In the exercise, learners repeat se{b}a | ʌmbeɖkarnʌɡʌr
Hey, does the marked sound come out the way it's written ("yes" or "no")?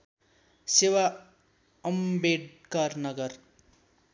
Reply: no